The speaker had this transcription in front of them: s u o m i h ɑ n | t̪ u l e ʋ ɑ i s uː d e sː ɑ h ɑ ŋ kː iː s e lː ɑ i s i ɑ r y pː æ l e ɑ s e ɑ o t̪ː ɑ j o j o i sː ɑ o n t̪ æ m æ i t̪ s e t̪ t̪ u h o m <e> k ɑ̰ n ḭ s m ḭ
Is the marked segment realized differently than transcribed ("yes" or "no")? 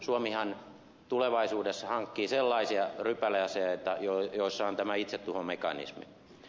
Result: no